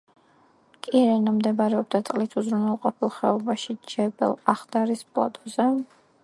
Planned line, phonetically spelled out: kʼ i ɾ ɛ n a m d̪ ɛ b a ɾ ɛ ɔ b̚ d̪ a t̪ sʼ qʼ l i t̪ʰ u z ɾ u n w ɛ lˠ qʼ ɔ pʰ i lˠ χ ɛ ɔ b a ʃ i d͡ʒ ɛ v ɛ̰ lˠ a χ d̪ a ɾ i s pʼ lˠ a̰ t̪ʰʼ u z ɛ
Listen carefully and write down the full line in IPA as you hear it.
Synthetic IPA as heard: kʼ i ɾ ɛ n a m d̪ ɛ b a ɾ ɛ ɔ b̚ d̪ a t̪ sʼ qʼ l i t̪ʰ u z ɾ u n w ɛ lˠ qʼ ɔ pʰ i lˠ χ ɛ ɔ b a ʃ i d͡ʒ ɛ b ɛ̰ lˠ a χ d̪ a ɾ i s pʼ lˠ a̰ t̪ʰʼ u z ɛ